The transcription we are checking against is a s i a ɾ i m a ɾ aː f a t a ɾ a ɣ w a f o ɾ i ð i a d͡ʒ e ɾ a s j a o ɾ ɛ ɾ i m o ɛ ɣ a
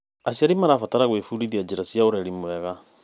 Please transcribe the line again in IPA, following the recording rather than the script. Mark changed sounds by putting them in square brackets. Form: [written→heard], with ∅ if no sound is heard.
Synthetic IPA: a s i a ɾ i m a ɾ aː f a t a ɾ a ɣ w [a→e] f [o→u] ɾ i ð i a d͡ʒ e ɾ a s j a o ɾ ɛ ɾ i m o ɛ ɣ a